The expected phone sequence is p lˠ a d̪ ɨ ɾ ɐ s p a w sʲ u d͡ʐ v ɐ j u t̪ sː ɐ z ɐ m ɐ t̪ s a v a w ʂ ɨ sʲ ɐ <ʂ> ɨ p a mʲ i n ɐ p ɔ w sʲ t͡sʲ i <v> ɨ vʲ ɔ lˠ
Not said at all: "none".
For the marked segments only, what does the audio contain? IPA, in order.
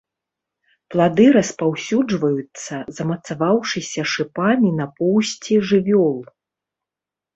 ʂ, ʐ

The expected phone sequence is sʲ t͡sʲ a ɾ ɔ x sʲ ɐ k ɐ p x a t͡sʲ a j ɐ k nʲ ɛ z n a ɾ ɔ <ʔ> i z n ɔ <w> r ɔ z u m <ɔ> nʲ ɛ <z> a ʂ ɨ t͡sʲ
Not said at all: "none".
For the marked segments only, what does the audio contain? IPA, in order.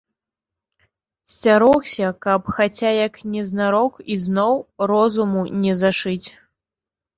k, w, u, z

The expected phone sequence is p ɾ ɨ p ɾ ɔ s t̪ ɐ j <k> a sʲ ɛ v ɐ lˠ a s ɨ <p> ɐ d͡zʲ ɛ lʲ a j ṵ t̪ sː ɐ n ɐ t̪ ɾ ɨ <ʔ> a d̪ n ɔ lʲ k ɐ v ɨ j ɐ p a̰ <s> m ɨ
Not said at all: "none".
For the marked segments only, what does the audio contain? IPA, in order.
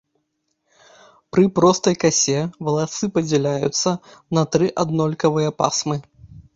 k, p, ʔ, s

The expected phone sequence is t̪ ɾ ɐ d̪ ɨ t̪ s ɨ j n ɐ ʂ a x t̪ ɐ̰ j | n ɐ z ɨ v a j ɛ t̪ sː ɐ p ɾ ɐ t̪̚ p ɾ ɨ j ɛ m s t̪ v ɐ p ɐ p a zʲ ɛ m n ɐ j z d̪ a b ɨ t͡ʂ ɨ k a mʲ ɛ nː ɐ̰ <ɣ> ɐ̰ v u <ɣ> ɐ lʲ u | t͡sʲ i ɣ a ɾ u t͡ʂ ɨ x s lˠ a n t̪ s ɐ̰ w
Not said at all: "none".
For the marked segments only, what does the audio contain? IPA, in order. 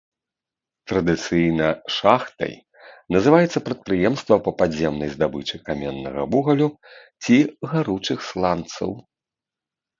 ɣ, ɣ

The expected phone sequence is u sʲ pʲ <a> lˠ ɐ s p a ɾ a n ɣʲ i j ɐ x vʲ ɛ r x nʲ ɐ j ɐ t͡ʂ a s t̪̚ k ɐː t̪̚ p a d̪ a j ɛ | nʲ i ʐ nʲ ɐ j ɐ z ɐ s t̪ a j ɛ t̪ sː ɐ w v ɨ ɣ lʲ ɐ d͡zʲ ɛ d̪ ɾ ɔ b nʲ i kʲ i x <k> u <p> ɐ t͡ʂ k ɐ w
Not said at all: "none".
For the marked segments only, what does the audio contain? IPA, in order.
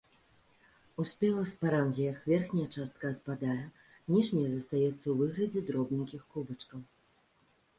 ɛ, k, b

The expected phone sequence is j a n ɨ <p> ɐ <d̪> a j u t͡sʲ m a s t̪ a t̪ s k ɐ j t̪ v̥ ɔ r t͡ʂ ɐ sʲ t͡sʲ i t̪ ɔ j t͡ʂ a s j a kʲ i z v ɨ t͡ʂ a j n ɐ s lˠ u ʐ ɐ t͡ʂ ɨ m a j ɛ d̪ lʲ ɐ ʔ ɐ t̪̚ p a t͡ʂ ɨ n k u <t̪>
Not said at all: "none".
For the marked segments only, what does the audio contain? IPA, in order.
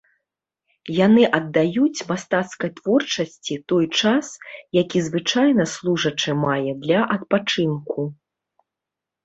ʔ, d̪ː, none

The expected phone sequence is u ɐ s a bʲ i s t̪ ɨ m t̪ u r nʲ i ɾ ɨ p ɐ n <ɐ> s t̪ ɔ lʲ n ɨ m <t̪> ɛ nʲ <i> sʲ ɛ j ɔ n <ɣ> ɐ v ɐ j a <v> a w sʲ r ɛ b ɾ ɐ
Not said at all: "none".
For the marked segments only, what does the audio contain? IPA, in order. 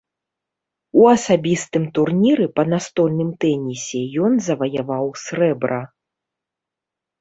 a, t̪, i, z, v

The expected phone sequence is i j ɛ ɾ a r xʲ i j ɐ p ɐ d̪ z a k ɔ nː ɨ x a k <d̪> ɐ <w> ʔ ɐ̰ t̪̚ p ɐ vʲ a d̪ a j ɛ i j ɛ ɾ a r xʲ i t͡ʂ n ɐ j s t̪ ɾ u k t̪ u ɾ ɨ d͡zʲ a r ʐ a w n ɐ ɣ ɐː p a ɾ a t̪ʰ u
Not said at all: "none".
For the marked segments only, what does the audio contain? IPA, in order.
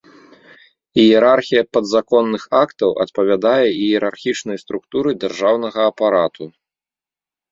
t̪, w

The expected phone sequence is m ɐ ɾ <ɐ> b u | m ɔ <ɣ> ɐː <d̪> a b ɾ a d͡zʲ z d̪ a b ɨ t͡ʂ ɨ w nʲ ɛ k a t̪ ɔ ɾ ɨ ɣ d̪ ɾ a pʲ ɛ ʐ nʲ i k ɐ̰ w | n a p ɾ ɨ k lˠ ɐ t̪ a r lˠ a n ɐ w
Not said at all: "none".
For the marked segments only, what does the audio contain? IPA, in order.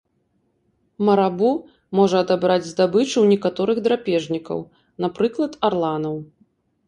a, ʐ, d̪

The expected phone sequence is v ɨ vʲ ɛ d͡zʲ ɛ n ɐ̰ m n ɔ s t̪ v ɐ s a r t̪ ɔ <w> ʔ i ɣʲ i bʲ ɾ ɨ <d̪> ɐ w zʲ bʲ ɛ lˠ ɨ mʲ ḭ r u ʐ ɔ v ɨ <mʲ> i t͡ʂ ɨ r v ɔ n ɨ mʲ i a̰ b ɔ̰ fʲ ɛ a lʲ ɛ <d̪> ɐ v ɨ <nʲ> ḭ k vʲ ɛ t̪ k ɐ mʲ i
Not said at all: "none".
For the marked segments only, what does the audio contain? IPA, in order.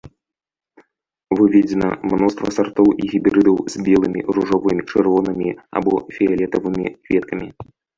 w, d̪, mʲ, t̪, mʲ

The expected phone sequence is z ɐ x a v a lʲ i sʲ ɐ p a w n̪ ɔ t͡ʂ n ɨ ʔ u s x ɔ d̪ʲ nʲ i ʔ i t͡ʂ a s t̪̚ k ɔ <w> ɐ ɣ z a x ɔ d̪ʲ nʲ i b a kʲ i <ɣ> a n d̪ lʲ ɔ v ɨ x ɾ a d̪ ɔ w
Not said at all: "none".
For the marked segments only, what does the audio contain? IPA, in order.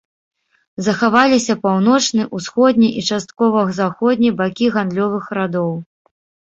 v, ɣ

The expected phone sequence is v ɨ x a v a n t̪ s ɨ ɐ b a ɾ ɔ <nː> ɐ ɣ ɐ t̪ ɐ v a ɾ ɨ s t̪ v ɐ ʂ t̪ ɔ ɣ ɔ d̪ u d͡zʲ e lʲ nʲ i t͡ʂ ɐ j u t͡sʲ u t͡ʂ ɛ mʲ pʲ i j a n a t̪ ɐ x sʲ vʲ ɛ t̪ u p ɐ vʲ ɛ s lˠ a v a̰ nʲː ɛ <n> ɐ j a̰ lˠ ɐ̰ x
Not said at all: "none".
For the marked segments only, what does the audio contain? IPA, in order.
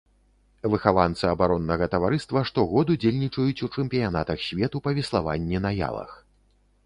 nː, n

